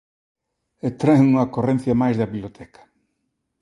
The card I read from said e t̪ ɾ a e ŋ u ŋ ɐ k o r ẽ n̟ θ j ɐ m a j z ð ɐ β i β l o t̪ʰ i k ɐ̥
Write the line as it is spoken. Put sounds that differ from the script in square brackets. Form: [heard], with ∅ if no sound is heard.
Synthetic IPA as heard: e t̪ ɾ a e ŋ u ŋ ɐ k o r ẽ n̟ θ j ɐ m a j z ð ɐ β i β l o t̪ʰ [ɛ] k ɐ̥